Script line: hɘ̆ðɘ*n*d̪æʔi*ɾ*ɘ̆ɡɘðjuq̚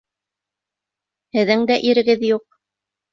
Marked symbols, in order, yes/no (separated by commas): no, yes